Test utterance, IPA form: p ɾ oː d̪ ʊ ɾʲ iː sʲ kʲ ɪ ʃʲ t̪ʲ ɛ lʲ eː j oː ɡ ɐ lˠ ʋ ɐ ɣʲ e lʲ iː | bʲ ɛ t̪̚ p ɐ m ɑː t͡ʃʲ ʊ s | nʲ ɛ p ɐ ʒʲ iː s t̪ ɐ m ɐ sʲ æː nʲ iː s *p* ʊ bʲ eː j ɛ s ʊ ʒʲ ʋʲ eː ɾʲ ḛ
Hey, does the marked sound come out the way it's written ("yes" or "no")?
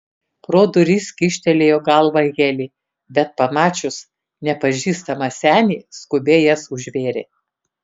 no